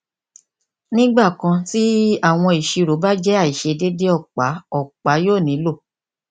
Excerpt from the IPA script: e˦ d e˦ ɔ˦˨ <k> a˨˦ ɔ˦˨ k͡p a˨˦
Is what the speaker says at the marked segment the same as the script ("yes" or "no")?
no